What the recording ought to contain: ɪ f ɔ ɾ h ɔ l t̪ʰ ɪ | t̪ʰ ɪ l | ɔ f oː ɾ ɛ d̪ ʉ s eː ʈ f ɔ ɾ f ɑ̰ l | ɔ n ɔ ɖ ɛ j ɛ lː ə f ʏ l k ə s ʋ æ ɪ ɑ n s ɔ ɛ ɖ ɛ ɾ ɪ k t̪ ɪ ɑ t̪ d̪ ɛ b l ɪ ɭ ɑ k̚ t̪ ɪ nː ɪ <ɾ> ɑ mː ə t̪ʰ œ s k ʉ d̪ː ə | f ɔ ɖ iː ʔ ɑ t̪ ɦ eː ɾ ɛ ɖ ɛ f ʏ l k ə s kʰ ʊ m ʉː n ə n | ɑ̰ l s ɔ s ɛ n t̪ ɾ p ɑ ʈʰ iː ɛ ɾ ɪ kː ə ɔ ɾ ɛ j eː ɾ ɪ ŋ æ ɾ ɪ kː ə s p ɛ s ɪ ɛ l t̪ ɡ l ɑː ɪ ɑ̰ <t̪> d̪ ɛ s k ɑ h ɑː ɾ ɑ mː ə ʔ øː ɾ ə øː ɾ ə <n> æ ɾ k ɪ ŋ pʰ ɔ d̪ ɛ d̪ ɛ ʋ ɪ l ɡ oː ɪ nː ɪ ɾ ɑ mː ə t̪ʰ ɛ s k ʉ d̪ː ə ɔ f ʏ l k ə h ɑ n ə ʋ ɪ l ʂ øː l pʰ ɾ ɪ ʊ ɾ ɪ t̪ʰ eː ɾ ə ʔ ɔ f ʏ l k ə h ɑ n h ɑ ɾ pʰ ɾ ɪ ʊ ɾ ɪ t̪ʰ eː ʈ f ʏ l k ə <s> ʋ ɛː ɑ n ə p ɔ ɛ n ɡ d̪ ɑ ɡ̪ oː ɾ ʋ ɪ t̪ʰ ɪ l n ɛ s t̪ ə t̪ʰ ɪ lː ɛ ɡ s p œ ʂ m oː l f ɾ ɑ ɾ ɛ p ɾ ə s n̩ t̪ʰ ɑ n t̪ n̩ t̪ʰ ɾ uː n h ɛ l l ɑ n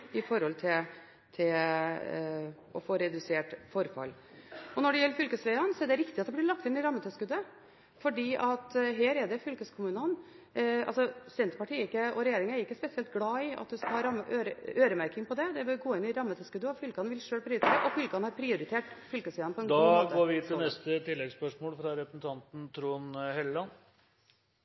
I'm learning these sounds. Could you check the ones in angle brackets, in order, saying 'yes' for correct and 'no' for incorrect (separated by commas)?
yes, yes, no, yes